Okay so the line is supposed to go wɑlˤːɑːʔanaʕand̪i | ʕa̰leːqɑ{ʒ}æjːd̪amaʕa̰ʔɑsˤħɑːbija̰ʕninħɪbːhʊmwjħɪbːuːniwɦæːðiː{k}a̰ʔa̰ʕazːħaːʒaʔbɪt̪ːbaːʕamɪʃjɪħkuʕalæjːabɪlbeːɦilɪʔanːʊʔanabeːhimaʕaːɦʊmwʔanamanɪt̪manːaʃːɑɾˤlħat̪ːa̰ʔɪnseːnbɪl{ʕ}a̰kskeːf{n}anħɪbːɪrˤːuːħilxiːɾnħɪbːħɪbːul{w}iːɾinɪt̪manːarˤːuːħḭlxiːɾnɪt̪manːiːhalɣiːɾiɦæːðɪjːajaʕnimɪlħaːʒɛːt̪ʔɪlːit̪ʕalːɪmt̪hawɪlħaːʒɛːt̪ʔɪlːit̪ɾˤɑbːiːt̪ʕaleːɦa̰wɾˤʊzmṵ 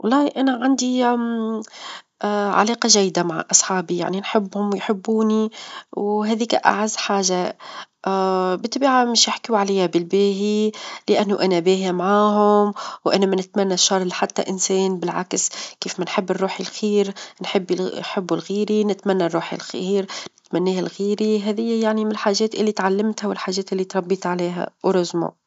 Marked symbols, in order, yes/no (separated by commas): yes, yes, yes, no, no